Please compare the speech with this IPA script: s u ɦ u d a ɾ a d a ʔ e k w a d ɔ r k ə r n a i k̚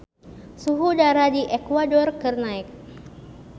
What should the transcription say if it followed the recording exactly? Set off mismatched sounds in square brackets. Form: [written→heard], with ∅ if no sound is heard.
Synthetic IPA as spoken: s u ɦ u d a ɾ a d [a→i] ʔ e k w a d ɔ r k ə r n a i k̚